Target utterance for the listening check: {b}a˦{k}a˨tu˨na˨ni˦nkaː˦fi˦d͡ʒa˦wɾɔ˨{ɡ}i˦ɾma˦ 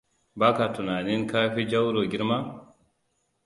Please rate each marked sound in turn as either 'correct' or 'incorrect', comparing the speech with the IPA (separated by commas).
correct, correct, correct